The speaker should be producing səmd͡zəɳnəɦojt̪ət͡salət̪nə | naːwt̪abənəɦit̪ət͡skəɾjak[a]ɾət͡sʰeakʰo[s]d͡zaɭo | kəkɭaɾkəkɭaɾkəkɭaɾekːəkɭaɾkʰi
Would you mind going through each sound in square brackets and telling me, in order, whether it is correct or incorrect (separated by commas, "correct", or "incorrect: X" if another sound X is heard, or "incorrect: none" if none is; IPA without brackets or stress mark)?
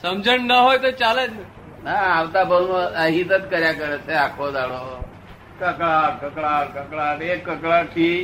incorrect: ə, incorrect: none